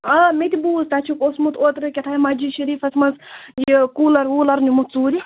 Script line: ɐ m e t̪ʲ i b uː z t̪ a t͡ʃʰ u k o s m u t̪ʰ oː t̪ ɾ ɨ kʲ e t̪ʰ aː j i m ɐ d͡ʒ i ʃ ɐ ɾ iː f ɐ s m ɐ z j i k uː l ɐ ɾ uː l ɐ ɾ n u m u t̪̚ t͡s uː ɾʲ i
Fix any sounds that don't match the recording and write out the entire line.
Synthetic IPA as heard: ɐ m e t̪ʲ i b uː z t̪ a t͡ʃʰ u k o s m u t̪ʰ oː t̪ ɾ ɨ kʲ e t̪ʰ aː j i m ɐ d͡ʒ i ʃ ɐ ɾ iː f ɐ s m ɐ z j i k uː l ɐ ɾ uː l ɐ ɾ n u m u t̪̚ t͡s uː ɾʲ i